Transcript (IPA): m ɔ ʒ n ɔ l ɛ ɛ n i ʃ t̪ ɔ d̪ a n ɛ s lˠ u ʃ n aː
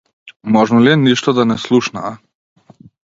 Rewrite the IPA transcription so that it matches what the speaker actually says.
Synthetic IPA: m ɔ ʒ n ɔ l i ɛ n i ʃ t̪ ɔ d̪ a n ɛ s lˠ u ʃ n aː